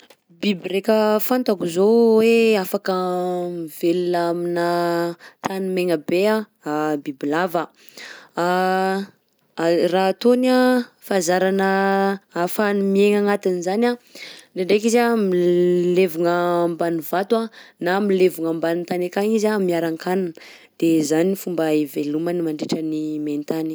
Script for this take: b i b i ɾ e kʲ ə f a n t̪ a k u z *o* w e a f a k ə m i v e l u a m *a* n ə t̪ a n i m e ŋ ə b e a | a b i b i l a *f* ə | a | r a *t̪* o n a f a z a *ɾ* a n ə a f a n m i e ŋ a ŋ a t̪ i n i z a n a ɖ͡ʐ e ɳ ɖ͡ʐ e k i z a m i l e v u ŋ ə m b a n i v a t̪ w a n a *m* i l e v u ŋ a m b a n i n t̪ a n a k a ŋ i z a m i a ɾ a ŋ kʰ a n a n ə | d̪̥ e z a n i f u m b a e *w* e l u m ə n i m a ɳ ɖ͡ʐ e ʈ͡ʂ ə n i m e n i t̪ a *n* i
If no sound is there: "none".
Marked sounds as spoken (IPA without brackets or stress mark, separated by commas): o, i, v, t̪, ɾ, m, v, n